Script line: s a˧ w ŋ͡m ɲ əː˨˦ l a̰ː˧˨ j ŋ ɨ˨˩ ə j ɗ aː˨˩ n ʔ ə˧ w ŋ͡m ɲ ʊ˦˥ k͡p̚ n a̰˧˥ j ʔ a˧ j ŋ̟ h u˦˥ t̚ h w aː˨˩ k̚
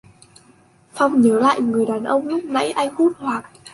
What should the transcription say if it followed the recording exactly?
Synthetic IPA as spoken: f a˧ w ŋ͡m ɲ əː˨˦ l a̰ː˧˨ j ŋ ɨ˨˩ ə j ɗ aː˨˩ n ʔ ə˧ w ŋ͡m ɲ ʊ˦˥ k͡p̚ n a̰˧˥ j ʔ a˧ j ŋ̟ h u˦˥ t̚ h w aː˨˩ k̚